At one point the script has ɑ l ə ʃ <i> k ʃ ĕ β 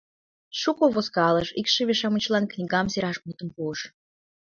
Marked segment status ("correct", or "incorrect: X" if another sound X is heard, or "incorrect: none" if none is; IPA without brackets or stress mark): correct